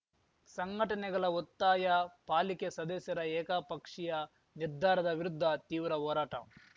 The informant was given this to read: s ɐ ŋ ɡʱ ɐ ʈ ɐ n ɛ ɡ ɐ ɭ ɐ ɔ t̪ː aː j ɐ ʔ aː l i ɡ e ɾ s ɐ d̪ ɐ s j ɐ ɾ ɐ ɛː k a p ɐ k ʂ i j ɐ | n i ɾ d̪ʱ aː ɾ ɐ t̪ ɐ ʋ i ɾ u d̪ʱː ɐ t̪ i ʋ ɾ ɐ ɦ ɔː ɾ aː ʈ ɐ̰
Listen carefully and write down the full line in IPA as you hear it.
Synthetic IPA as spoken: s ɐ ŋ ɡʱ ɐ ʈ ɐ n ɛ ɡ ɐ ɭ ɐ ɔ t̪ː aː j ɐ p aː l i k e s ɐ d̪ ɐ s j ɐ ɾ ɐ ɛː k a p ɐ k ʂ i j ɐ | n i ɾ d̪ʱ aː ɾ ɐ d̪ ɐ ʋ i ɾ u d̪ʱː ɐ t̪ iː ʋ ɾ ɐ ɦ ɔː ɾ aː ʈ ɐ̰